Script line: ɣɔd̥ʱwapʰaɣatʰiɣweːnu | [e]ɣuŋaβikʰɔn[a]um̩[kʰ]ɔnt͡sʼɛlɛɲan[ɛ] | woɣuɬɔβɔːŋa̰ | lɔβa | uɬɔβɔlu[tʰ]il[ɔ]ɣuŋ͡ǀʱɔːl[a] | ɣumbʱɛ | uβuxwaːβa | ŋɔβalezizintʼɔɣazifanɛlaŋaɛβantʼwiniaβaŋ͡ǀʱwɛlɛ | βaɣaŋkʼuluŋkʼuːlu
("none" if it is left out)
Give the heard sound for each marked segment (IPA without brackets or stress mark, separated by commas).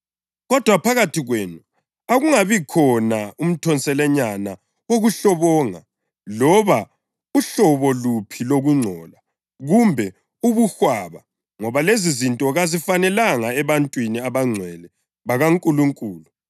a, a, tʰ, a, pʰ, o, a